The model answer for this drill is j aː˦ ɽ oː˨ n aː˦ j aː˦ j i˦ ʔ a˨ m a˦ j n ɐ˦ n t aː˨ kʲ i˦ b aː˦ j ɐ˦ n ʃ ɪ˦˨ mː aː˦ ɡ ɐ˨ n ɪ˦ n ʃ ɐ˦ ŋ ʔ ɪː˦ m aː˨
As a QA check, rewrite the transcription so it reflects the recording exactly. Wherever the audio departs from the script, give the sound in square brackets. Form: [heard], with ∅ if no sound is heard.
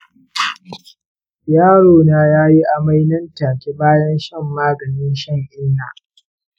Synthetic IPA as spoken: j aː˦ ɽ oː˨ n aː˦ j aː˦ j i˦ ʔ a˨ m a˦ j n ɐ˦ n t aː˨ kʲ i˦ b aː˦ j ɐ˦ n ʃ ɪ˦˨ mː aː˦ ɡ ɐ˨ n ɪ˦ n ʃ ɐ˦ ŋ ʔ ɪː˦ [n] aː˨